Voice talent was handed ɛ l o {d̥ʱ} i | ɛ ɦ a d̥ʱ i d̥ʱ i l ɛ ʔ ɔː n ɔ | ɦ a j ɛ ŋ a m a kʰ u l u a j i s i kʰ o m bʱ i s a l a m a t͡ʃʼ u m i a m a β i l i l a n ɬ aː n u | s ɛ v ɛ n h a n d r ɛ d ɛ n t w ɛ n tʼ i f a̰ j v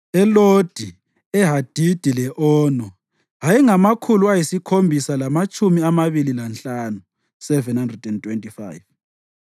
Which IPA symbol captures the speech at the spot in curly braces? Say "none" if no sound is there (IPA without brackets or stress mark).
d̥ʱ